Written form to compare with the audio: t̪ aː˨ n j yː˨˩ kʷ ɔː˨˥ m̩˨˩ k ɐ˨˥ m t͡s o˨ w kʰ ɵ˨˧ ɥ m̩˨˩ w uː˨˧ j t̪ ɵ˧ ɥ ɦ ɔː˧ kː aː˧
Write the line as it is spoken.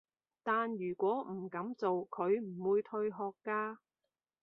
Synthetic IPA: t̪ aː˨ n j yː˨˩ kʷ ɔː˨˥ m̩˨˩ k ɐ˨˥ m t͡s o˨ w kʰ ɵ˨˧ ɥ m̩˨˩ w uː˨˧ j t̪ʰ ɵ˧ ɥ ɦ ɔː˧ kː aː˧